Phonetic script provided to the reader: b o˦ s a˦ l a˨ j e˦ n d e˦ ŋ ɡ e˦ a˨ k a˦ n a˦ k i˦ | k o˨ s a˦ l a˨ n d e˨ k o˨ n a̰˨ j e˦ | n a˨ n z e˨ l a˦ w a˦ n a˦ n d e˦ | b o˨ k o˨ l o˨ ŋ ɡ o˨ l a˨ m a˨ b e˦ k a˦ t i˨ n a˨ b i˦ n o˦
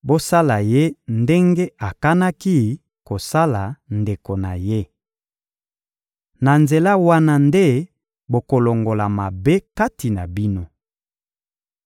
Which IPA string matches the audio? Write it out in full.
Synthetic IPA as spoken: b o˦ s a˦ l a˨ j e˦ n d e˦ ŋ ɡ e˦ a˨ k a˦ n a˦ k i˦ | k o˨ s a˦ l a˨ n d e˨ k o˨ n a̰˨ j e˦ | n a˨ n z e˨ l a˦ w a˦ n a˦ n d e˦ | b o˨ k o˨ l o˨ ŋ ɡ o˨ l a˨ m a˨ b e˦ k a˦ t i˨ n a˨ b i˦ n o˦